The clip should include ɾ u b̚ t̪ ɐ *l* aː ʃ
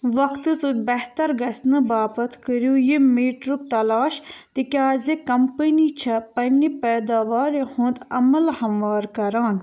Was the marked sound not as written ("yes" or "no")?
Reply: no